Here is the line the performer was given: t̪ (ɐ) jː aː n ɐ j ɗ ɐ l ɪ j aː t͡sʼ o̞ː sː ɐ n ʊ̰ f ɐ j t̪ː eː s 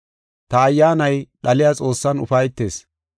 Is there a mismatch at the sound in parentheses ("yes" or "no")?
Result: yes